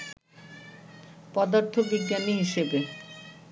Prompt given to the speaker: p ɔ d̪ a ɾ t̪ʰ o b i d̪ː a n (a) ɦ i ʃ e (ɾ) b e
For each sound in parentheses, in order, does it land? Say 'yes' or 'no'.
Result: no, no

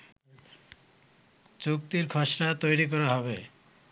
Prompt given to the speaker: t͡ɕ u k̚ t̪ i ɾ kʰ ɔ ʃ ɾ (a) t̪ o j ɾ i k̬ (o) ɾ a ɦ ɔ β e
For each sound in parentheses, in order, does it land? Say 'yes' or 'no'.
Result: yes, no

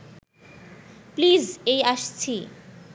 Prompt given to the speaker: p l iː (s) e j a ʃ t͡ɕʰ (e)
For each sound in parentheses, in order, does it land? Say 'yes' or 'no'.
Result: no, no

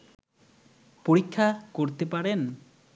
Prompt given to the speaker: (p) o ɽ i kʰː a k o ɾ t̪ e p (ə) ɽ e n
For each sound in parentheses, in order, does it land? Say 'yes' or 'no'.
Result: yes, no

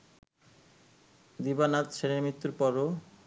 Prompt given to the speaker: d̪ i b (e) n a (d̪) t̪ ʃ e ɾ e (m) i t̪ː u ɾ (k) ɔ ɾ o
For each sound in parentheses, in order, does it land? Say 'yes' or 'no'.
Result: no, no, yes, no

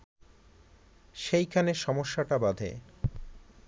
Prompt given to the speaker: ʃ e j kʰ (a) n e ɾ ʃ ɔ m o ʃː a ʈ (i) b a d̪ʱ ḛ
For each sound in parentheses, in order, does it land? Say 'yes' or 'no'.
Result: yes, no

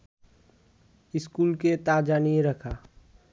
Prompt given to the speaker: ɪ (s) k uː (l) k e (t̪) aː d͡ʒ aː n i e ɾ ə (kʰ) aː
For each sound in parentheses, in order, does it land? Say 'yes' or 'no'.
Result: yes, yes, yes, yes

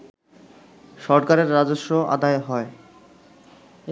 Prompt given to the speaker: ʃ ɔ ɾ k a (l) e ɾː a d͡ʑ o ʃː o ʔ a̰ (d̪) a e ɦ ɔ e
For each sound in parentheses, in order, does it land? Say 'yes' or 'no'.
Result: no, yes

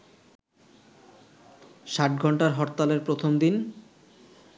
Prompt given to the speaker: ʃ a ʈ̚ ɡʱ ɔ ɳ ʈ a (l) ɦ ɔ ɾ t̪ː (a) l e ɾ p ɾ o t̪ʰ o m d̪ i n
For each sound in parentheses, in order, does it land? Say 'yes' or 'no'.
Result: no, yes

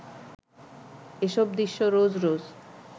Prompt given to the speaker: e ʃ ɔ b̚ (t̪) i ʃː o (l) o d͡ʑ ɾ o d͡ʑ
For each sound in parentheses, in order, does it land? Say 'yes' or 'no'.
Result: no, no

